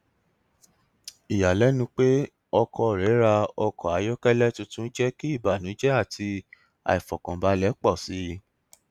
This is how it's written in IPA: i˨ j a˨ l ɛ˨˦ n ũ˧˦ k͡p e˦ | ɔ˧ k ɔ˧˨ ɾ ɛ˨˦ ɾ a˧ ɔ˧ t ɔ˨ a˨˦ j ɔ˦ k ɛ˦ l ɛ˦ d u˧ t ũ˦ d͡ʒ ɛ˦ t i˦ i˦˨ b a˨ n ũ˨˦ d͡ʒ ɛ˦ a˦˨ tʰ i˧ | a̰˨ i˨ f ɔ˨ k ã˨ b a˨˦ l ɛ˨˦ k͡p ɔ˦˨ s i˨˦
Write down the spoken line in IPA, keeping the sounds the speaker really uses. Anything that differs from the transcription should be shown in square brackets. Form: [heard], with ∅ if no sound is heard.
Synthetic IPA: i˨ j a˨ l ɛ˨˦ n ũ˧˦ k͡p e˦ | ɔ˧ k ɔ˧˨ ɾ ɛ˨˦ ɾ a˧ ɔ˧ [k] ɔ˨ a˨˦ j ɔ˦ k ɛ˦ l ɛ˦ [t] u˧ t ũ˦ d͡ʒ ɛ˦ [k] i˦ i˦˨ b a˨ n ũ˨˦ d͡ʒ ɛ˦ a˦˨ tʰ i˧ | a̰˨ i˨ f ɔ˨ k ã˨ b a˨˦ l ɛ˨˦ k͡p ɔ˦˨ s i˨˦